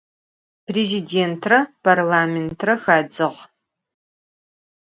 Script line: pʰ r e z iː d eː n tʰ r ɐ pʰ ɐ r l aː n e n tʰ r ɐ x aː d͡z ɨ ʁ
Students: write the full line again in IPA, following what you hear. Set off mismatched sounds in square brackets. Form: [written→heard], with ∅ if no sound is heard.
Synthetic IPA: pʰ r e z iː d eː n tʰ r ɐ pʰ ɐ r l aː [n→m] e n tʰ r ɐ x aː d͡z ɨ ʁ